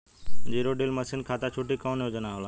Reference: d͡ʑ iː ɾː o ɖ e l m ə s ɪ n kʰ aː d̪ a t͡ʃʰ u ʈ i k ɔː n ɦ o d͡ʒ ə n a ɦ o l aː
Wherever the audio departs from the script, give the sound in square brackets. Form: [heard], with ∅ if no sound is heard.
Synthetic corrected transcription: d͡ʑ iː [ɾ] o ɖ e l m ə s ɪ n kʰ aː [t̪] a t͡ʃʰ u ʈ i k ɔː n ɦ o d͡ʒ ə n a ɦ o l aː